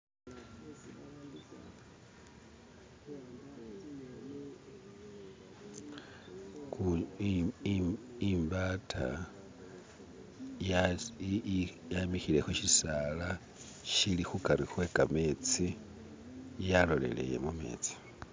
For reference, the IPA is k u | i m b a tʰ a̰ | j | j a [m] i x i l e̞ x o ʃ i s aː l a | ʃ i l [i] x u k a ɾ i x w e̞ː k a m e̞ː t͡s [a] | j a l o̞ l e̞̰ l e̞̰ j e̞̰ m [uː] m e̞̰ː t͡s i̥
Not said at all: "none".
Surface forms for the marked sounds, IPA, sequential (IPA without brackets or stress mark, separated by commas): m, i, i, u